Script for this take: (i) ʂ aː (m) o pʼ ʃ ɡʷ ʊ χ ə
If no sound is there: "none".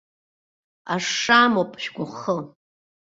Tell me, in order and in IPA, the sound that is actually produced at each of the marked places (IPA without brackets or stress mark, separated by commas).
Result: a, m